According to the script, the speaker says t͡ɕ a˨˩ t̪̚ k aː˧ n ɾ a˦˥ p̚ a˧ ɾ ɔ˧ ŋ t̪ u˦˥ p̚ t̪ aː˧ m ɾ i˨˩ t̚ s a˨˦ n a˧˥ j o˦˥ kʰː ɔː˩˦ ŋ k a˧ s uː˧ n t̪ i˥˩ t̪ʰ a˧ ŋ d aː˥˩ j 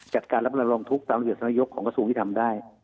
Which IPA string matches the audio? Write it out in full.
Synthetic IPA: t͡ɕ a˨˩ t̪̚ k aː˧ n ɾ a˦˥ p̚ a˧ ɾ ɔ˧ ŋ t̪ʰ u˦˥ k̚ t̪ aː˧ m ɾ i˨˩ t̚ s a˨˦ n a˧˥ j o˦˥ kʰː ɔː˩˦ ŋ k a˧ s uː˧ ŋ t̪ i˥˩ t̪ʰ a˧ m d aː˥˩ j

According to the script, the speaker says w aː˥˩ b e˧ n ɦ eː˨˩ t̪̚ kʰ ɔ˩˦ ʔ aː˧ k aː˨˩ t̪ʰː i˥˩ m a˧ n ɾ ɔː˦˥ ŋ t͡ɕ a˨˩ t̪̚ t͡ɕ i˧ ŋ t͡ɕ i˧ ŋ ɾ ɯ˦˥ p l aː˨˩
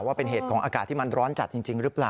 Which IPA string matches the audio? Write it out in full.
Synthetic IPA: w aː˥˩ p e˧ n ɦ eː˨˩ t̪̚ kʰ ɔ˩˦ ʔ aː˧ k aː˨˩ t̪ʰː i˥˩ m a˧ n ɾ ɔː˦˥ n t͡ɕ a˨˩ t̪̚ t͡ɕ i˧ ŋ t͡ɕ i˧ ŋ ɾ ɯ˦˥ p l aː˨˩

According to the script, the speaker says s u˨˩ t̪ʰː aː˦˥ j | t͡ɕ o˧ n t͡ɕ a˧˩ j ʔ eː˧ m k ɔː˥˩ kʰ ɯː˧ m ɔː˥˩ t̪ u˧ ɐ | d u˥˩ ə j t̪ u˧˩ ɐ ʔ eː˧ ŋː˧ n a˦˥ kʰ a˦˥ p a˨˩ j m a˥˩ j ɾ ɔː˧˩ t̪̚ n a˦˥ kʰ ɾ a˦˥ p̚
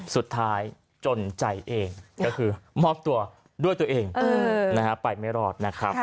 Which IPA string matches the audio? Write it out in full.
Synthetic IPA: s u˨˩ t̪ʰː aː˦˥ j | t͡ɕ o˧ n t͡ɕ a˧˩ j ʔ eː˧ ŋ k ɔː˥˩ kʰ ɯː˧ m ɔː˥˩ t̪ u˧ ɐ | d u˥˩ ə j t̪ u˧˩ ɐ ʔ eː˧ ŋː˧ n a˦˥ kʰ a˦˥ p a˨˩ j m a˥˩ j ɾ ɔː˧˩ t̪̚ n a˦˥ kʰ ɾ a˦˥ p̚

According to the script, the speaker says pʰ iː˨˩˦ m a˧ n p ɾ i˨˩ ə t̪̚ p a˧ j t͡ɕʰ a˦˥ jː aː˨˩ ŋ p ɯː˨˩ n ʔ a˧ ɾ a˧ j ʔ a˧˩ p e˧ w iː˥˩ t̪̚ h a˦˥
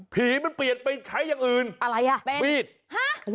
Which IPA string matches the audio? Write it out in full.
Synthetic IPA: pʰ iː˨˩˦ m a˧ n p l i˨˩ ə t̪̚ p a˧ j t͡ɕʰ a˦˥ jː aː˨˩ ŋ ʔ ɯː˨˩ n ʔ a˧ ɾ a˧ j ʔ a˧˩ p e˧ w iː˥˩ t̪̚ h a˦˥

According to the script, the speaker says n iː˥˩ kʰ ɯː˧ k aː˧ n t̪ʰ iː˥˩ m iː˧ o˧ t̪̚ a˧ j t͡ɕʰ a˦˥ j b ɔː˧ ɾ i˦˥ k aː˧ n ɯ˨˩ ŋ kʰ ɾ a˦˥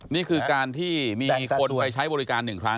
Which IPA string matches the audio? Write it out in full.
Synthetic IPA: n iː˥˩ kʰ ɯː˧ k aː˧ n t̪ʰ iː˥˩ m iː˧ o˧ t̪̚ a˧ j t͡ɕʰ a˦˥ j b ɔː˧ ɾ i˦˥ k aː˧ nː ɯ˨˩ ŋ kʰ ɾ a˦˥

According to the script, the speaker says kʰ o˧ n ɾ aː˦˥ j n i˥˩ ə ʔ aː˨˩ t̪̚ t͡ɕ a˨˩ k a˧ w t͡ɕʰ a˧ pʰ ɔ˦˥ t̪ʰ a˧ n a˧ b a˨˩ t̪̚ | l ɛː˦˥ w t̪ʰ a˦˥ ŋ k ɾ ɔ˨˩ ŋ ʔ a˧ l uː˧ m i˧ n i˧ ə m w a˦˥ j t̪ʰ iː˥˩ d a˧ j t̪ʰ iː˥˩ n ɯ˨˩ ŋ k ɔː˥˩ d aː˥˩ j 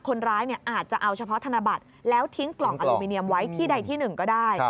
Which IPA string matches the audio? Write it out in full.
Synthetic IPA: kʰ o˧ n ɾ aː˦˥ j n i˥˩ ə ʔ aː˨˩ t̪̚ t͡ɕ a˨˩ ʔ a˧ w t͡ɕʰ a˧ pʰ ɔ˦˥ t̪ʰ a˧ n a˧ b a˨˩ t̪̚ | l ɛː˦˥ w t̪ʰ i˦˥ ŋ k l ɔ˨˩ ŋ ʔ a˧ l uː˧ m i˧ n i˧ ə m w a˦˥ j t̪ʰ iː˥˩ d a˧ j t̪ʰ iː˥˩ n ɯ˨˩ ŋ k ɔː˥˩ d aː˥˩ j

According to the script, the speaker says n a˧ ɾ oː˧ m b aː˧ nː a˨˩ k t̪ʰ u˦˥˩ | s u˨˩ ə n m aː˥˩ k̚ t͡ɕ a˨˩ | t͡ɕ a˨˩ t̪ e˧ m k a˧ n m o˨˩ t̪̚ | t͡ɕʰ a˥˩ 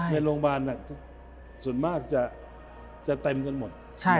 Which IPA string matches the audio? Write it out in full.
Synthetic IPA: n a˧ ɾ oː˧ ŋ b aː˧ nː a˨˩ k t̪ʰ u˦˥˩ | s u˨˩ ə n m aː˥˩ k̚ t͡ɕ a˨˩ | t͡ɕ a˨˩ t̪ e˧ m k a˧ n m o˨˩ t̪̚ | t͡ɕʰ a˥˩

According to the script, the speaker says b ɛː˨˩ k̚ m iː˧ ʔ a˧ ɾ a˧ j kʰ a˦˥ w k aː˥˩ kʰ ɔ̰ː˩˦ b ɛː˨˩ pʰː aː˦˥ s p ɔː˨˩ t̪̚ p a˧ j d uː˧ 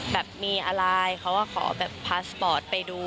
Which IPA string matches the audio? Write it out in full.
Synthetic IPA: b ɛː˨˩ p̚ m iː˧ ʔ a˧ ɾ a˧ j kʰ a˦˥ w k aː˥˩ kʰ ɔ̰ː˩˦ b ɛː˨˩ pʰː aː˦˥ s p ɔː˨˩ t̪̚ p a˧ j d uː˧

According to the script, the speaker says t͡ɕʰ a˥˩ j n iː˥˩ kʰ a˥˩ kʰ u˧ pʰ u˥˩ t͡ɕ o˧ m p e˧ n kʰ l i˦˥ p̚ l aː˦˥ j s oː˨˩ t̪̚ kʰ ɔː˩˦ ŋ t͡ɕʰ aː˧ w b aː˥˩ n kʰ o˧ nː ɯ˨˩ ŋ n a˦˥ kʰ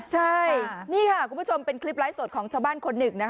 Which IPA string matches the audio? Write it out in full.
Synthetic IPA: t͡ɕʰ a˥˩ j n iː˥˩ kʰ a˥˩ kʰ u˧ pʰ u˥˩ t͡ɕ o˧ m p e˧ n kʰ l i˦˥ p̚ l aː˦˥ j s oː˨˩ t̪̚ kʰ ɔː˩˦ ŋ t͡ɕʰ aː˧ w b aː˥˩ n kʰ o˧ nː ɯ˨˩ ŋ n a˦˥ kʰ

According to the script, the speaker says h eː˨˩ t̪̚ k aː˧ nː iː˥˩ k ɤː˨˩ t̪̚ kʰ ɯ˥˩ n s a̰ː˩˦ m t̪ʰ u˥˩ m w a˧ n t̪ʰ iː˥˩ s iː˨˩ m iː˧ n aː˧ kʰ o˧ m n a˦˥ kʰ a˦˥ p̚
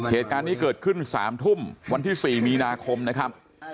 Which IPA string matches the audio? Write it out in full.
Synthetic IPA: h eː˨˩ t̪̚ k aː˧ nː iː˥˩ k ɤː˨˩ t̪̚ kʰ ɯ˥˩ n s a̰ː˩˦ m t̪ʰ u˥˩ m w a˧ n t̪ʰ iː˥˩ s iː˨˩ m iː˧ n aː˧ kʰ o˧ m n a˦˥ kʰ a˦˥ p̚

